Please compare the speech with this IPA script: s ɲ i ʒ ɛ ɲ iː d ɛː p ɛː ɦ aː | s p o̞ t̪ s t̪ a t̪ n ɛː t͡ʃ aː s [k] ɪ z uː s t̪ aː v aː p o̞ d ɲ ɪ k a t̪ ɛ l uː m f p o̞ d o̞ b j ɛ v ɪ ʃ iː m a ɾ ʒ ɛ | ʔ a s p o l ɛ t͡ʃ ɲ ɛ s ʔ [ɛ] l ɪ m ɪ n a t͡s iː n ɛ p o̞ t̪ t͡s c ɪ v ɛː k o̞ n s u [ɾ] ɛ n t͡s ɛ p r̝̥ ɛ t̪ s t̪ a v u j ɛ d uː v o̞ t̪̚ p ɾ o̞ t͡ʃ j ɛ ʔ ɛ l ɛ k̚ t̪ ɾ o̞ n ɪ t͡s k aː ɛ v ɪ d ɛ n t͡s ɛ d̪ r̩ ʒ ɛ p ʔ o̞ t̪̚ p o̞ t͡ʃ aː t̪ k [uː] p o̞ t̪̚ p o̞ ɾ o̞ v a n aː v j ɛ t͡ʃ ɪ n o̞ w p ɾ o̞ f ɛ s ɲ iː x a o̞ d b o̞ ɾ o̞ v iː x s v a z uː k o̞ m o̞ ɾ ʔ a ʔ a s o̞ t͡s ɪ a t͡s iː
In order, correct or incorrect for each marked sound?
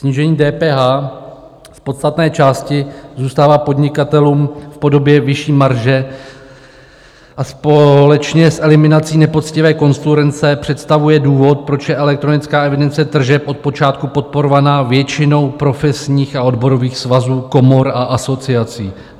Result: incorrect, correct, correct, incorrect

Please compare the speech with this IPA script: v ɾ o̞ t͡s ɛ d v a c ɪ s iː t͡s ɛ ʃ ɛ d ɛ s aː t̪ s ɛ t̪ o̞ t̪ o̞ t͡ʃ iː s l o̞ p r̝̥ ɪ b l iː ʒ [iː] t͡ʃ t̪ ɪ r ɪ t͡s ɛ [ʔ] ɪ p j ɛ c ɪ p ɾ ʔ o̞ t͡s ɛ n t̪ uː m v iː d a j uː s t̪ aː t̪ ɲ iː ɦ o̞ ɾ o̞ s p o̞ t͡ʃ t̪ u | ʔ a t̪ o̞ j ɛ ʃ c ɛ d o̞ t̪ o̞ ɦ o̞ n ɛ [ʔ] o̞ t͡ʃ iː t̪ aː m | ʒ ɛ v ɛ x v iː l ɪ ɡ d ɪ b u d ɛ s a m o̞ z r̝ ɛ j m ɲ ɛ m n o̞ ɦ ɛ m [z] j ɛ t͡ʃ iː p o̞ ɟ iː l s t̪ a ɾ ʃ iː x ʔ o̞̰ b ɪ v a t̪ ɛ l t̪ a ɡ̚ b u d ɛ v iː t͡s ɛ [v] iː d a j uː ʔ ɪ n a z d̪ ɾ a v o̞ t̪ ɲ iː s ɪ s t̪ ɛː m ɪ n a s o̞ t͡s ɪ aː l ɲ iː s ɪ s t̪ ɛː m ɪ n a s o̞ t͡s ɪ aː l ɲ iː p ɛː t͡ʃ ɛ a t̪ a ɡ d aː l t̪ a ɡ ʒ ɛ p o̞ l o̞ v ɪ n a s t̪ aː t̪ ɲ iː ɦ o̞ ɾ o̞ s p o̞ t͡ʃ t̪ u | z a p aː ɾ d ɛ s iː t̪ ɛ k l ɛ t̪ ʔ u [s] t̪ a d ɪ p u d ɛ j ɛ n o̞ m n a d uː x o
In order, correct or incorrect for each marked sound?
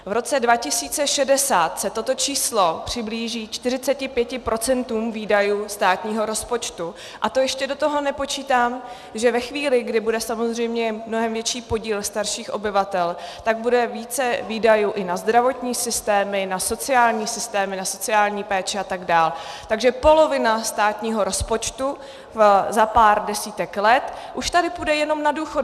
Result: correct, incorrect, incorrect, incorrect, correct, incorrect

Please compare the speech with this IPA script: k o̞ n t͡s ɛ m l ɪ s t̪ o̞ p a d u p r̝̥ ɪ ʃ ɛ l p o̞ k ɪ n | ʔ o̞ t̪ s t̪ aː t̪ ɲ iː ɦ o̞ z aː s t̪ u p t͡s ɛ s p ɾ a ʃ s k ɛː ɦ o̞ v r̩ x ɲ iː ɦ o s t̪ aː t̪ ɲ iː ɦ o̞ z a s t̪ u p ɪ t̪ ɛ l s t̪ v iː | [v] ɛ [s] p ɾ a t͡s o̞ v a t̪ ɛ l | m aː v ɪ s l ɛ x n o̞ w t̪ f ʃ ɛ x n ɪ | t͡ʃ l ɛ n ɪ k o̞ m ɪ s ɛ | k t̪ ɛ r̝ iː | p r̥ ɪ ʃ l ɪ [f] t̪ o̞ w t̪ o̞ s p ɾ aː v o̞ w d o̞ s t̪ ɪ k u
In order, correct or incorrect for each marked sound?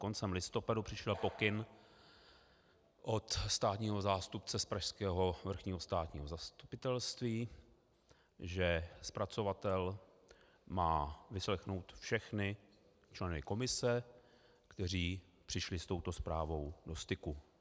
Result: incorrect, correct, incorrect

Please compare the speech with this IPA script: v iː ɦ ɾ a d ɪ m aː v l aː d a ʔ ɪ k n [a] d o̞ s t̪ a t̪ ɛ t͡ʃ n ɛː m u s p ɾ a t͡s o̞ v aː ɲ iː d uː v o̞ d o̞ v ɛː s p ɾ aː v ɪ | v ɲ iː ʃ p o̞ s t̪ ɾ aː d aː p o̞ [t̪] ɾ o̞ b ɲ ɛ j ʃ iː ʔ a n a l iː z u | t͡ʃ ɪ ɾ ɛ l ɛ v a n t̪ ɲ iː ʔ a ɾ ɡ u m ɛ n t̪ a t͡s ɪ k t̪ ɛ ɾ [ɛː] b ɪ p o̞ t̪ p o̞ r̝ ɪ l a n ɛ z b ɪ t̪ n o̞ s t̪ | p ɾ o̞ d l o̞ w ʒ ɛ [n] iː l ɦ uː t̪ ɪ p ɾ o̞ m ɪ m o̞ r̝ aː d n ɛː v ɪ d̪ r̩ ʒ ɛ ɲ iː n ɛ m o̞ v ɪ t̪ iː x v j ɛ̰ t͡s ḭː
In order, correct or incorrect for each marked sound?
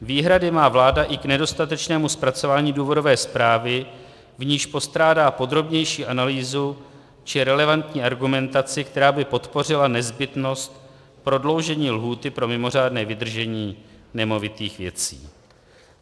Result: incorrect, incorrect, incorrect, incorrect

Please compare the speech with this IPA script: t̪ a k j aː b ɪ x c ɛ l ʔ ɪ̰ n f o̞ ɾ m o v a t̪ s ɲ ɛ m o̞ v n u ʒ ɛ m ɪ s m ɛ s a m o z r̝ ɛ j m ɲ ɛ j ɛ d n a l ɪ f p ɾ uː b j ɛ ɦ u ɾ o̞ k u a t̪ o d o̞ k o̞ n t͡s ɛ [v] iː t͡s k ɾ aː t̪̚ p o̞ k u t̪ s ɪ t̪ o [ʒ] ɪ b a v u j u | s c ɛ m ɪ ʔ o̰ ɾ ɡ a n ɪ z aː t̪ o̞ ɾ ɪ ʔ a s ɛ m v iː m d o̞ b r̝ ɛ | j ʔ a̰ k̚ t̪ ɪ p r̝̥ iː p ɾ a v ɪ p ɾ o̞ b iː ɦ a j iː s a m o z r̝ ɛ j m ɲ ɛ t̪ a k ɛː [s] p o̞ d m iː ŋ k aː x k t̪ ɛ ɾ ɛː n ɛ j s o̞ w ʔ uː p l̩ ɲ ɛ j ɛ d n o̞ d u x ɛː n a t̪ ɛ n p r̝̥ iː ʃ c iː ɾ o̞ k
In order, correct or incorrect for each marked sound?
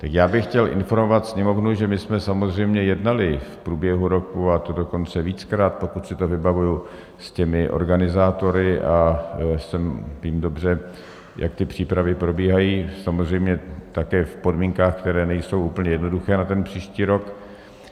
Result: correct, incorrect, incorrect

